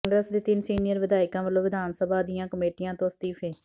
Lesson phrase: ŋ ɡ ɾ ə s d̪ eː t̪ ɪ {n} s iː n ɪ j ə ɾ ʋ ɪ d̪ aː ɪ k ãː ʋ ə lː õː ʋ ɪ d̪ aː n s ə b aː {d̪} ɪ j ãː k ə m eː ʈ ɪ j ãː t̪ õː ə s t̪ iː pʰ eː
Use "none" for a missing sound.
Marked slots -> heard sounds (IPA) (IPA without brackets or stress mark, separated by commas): n, d̪